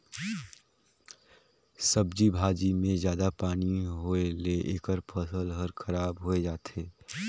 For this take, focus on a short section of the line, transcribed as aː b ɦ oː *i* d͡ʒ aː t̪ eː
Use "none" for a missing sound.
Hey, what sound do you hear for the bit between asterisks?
e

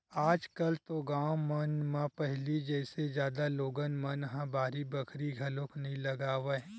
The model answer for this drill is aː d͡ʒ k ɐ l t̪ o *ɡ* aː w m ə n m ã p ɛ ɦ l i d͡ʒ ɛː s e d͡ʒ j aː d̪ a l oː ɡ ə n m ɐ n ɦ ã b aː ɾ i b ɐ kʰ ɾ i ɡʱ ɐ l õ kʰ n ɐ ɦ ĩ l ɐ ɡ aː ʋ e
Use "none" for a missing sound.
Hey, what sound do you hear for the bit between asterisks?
ɡ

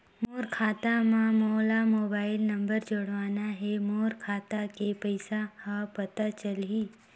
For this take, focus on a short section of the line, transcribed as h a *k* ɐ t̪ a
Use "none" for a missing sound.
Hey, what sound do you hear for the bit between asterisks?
p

